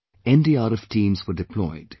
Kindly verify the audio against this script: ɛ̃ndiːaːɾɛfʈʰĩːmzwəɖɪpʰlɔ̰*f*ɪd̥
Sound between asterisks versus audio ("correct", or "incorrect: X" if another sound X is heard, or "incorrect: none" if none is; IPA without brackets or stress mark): incorrect: none